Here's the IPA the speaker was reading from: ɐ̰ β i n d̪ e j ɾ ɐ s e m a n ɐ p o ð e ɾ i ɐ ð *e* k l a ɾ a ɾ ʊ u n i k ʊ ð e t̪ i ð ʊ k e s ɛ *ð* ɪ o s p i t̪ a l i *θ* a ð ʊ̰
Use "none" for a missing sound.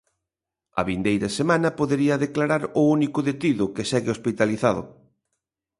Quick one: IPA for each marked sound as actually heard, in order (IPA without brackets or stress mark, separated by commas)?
e, ɣ, θ